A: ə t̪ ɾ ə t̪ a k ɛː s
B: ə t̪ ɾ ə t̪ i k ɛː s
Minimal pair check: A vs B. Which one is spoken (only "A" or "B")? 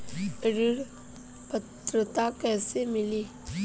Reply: A